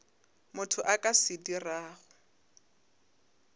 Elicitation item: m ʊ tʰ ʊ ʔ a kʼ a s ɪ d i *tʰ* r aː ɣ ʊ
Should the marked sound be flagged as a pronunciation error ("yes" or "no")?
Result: yes